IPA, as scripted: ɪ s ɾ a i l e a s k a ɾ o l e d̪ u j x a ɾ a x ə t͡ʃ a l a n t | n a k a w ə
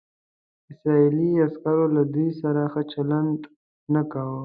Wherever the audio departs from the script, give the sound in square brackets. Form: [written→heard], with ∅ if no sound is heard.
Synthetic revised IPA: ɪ s ɾ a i l [e→i] a s k a ɾ o l [e→a] d̪ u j [x→s] a ɾ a x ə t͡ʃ a l a n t | n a k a w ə